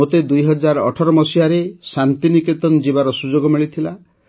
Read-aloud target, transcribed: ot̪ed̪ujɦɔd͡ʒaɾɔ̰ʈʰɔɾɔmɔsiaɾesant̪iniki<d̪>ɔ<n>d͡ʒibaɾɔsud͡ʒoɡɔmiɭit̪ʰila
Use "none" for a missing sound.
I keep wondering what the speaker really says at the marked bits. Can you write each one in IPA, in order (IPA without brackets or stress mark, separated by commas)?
t̪, n